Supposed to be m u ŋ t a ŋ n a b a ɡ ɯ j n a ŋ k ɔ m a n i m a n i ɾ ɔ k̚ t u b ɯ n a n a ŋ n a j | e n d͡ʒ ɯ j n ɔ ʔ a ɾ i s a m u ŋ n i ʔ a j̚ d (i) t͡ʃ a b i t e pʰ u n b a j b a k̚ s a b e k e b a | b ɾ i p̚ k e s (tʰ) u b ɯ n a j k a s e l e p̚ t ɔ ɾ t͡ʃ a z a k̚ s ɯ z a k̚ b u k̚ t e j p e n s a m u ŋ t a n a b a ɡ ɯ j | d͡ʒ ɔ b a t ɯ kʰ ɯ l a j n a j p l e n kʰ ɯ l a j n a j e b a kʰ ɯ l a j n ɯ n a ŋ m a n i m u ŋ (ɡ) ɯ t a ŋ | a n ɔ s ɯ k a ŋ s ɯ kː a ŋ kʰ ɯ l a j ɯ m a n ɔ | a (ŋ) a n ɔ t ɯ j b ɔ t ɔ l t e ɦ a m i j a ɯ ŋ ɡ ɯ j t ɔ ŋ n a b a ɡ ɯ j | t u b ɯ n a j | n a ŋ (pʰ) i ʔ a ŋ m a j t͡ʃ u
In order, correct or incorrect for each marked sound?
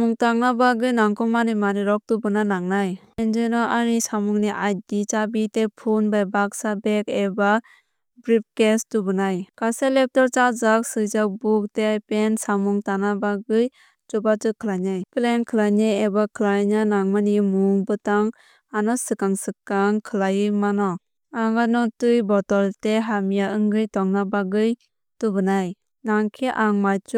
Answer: correct, incorrect: t, incorrect: b, correct, incorrect: kʰ

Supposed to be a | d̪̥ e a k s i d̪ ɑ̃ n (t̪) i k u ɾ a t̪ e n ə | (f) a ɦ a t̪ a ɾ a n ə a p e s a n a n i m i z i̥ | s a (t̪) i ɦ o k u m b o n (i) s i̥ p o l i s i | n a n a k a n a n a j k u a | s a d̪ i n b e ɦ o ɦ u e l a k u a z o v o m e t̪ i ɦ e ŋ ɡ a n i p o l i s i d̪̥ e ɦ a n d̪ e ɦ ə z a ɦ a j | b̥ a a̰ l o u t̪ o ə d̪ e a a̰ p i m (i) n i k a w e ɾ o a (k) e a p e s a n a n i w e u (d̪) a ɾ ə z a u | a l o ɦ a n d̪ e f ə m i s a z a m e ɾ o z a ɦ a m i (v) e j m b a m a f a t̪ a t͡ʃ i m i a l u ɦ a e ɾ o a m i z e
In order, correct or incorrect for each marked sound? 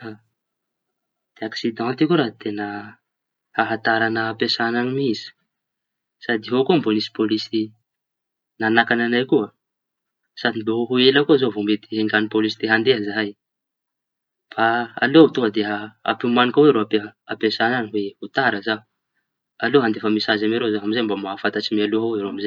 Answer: correct, incorrect: h, incorrect: d̪, correct, incorrect: a, incorrect: p, incorrect: t̪, incorrect: z

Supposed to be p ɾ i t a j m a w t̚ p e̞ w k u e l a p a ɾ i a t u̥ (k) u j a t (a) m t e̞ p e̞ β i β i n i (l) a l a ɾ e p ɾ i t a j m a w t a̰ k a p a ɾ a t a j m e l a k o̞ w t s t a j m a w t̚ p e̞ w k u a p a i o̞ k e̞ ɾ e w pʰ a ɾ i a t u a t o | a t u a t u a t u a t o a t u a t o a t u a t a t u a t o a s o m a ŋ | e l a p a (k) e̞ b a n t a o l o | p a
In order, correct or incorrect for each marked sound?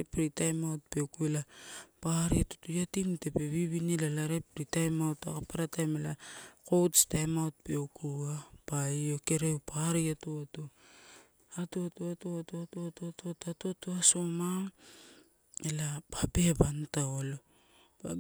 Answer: incorrect: t, incorrect: i, correct, incorrect: p

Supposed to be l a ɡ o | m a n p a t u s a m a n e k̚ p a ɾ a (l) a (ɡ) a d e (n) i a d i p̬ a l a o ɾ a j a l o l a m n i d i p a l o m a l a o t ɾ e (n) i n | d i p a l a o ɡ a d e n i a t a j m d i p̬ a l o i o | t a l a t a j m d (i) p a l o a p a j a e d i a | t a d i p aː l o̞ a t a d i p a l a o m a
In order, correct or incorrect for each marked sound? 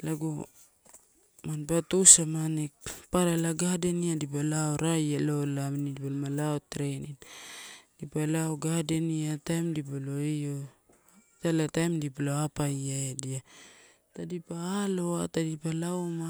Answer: correct, correct, correct, correct, correct

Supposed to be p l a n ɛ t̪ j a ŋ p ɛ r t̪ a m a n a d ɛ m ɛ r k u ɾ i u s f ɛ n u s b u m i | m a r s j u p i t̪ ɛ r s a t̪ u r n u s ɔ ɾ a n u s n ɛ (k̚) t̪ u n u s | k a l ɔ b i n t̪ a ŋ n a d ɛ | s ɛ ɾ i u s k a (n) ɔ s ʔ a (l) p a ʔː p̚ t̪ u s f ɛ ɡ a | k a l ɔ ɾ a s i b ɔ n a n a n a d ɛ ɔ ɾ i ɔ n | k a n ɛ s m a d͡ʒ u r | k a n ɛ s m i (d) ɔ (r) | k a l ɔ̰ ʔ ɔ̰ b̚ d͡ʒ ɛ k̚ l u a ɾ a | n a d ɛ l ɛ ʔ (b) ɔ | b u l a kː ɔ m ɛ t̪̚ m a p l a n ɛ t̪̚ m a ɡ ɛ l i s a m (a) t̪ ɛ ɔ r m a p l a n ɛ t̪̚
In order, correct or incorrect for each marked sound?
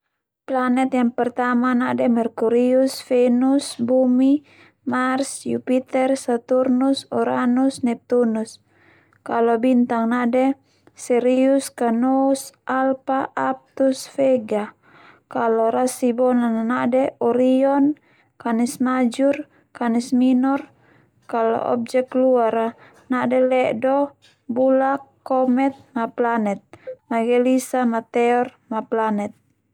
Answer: incorrect: p̚, correct, correct, incorrect: n, correct, incorrect: d, correct

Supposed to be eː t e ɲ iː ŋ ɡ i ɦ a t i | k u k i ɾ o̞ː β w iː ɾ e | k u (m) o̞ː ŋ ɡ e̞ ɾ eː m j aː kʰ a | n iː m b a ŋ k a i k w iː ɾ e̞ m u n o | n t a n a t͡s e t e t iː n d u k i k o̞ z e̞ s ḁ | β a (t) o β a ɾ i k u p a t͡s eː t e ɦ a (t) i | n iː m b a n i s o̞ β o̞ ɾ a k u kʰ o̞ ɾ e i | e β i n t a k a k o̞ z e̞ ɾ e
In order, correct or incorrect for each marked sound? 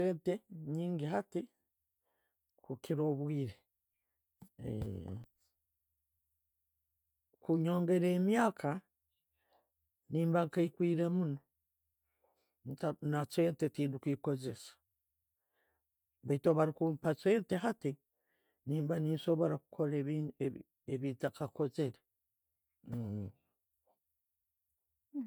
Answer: incorrect: ɲ, correct, correct

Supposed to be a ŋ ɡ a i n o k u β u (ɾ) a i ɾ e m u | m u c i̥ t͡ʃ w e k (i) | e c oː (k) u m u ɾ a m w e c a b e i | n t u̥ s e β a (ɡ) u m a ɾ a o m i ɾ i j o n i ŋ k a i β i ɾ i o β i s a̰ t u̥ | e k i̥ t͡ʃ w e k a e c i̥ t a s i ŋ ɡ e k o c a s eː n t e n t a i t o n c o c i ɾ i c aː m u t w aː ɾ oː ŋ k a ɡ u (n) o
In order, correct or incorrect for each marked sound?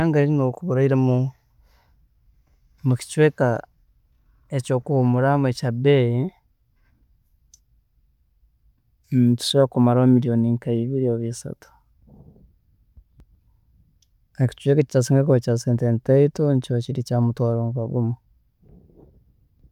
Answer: correct, incorrect: a, correct, incorrect: k, incorrect: m

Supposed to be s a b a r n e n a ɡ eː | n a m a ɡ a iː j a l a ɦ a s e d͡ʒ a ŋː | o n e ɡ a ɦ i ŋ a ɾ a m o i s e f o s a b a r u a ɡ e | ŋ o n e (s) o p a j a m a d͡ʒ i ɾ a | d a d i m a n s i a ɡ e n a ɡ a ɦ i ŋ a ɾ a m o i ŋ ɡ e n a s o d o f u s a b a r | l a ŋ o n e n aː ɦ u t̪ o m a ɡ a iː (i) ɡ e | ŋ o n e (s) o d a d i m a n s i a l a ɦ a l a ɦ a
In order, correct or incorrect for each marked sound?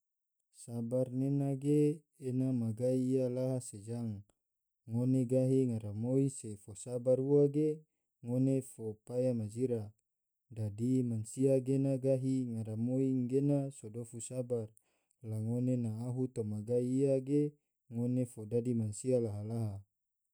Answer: incorrect: f, incorrect: a, incorrect: f

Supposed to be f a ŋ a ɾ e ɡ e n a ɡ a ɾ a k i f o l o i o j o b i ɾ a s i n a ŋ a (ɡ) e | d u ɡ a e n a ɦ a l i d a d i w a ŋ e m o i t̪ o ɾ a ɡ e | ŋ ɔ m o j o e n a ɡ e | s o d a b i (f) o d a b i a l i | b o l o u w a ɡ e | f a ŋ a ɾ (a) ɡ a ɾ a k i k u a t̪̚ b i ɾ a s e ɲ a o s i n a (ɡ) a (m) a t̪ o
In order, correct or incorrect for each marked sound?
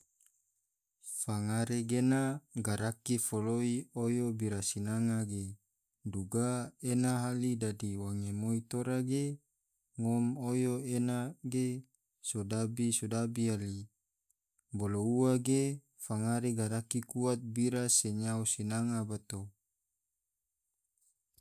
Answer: correct, incorrect: s, incorrect: e, incorrect: ŋ, incorrect: b

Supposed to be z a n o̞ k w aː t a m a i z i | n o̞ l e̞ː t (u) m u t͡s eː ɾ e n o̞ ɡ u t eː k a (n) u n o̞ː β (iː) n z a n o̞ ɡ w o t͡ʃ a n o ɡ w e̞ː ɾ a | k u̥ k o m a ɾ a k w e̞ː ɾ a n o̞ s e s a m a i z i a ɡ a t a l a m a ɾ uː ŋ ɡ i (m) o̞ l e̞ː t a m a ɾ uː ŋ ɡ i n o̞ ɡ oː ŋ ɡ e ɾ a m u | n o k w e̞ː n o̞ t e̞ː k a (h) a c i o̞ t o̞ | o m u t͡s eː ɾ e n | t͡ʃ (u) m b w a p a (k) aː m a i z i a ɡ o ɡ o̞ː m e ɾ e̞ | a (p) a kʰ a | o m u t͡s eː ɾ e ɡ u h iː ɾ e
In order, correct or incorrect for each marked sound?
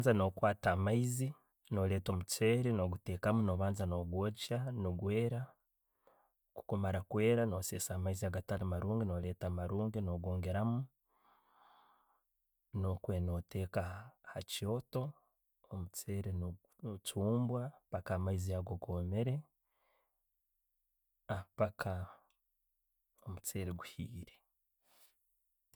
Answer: incorrect: o, incorrect: m, incorrect: aː, incorrect: n, correct, incorrect: uː, correct, correct

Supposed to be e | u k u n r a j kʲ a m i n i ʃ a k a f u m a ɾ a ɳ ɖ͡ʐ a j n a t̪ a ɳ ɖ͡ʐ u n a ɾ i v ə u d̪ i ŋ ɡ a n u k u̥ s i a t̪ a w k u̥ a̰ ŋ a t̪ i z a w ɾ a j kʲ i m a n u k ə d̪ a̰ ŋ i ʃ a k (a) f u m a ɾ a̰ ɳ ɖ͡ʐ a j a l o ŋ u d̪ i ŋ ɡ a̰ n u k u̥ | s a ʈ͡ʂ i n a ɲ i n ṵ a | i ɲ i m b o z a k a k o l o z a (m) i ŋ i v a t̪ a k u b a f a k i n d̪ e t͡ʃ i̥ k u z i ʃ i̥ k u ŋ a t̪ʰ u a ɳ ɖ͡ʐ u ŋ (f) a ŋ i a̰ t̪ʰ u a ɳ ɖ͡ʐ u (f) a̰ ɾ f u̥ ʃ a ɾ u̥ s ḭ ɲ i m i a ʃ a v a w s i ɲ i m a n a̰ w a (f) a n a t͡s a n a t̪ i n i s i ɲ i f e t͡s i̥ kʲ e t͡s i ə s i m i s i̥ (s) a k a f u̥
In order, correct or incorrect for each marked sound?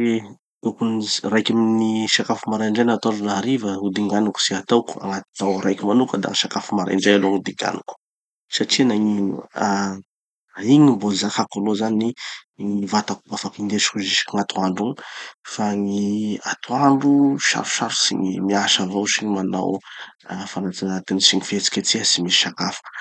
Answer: correct, incorrect: n, correct, incorrect: ʃ, correct, incorrect: ʃ

